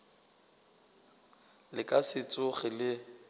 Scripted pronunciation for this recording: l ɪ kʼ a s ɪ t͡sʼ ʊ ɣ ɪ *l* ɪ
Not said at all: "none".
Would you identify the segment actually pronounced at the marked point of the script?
l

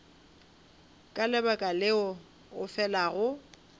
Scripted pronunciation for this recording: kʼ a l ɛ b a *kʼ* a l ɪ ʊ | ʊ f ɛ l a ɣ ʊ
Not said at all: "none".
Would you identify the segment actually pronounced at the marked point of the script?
kʼ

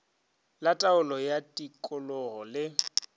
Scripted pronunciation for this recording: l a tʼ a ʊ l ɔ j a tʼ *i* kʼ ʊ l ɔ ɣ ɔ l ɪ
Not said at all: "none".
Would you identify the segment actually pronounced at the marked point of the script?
i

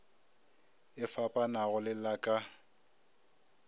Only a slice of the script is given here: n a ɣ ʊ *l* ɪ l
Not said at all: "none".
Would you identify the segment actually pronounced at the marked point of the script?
l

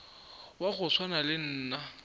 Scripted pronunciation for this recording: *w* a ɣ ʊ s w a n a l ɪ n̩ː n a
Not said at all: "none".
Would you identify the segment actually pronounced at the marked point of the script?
w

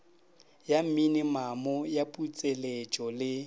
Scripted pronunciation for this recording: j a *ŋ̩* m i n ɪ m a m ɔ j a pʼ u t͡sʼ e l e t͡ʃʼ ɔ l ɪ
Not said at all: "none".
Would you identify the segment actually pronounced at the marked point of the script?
m̩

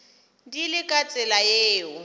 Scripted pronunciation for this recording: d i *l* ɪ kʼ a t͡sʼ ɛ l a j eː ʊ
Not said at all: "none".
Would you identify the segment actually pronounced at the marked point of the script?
l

